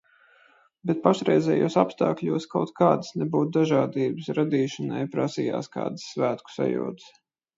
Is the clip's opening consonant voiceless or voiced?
voiced